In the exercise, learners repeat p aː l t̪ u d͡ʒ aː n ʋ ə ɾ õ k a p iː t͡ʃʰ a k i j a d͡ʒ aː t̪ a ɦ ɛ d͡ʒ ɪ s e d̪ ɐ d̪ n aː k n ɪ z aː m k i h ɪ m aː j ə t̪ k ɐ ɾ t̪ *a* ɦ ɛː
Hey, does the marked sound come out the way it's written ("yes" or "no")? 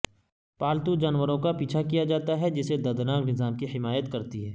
no